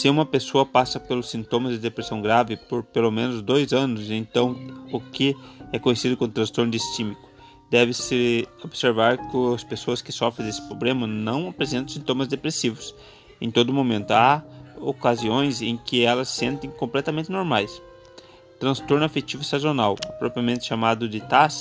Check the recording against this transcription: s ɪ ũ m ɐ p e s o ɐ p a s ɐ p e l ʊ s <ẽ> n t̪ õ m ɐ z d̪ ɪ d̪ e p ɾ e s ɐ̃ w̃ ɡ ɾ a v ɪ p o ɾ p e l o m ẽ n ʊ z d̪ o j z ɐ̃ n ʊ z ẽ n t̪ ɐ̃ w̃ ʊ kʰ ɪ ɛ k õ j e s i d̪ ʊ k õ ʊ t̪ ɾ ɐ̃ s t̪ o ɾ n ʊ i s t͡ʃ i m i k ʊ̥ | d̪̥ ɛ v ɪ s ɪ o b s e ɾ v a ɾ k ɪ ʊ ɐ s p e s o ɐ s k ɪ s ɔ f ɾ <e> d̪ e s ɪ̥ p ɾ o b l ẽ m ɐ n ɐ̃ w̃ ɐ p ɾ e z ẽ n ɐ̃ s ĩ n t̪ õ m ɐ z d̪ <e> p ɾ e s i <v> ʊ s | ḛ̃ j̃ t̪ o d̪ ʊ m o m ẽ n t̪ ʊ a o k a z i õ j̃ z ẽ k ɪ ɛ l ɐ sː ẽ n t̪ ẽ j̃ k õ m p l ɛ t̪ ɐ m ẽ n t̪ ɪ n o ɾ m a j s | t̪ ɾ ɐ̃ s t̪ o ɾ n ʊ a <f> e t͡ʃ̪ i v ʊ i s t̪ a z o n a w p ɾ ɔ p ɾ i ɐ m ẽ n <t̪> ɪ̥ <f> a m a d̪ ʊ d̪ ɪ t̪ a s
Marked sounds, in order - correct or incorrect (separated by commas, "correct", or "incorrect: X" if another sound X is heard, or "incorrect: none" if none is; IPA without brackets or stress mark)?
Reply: incorrect: ĩ, incorrect: ẽ, correct, correct, correct, correct, incorrect: ʃ